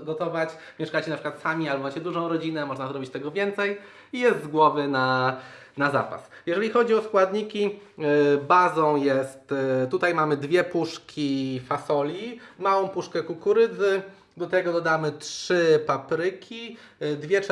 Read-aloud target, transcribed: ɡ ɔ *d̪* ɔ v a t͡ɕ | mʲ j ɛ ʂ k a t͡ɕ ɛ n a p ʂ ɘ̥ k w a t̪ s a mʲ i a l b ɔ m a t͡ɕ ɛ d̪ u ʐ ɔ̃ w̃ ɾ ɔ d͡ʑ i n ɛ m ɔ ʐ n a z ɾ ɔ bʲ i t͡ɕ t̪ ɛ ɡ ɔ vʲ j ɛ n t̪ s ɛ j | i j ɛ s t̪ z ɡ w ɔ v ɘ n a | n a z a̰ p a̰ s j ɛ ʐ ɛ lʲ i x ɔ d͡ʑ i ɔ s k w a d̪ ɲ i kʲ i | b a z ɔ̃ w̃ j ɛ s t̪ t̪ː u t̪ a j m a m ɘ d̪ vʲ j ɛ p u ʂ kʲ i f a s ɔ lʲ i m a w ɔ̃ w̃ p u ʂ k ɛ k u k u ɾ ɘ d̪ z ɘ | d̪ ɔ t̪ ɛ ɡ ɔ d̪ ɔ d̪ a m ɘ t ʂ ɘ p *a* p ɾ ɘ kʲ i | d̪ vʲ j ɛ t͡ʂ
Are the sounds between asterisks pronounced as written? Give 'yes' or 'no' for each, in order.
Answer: no, yes

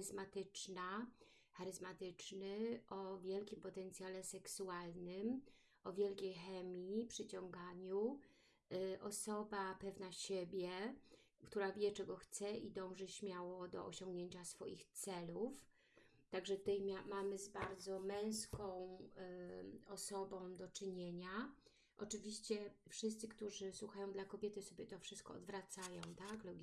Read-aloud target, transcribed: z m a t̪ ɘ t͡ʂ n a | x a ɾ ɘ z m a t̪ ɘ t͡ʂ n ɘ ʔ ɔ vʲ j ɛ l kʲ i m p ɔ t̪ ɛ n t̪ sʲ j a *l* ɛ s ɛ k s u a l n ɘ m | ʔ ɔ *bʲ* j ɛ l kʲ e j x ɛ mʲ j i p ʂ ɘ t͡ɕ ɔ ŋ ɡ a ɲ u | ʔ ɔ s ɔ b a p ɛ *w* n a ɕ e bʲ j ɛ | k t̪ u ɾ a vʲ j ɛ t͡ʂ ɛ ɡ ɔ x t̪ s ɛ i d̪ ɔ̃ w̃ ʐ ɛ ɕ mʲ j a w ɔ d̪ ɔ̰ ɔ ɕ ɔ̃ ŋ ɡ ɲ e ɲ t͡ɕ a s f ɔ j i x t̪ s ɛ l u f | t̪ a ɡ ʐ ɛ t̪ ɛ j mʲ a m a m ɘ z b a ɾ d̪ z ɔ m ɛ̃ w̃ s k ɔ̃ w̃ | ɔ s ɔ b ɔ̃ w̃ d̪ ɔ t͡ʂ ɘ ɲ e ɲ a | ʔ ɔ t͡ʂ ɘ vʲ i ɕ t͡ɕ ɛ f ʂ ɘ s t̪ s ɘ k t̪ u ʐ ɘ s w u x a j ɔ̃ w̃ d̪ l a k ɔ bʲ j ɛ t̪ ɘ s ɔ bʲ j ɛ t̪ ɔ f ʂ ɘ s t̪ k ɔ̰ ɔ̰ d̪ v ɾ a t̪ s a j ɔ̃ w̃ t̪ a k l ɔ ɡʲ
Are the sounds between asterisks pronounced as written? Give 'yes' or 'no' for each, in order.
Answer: yes, no, no

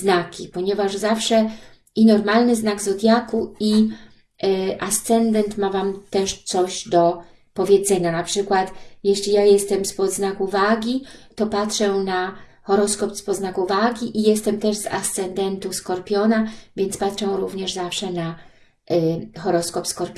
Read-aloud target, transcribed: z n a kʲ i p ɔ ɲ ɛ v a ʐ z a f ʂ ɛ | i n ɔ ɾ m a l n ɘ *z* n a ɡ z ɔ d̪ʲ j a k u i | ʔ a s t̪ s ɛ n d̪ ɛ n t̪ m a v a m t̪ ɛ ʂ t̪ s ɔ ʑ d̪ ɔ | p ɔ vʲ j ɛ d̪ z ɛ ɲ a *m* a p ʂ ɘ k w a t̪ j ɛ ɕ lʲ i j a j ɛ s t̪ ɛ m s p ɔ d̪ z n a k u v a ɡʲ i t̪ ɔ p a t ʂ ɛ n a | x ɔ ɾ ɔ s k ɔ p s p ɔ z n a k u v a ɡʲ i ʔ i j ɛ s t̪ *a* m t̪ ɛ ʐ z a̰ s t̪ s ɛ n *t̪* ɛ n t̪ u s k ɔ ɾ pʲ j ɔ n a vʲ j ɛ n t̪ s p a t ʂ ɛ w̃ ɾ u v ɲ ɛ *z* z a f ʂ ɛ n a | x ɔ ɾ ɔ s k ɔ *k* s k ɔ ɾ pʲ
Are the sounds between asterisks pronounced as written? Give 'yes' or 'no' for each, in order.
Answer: yes, no, no, no, no, no

